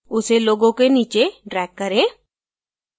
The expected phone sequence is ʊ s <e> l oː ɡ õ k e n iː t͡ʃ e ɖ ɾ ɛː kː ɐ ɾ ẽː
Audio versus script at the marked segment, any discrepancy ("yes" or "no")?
no